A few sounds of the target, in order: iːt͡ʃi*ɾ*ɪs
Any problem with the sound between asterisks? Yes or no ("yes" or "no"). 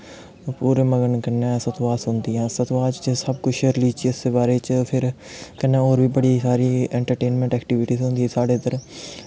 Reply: yes